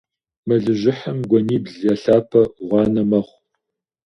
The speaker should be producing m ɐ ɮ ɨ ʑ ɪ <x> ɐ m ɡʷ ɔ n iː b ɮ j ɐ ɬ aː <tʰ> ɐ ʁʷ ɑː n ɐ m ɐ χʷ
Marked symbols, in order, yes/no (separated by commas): no, no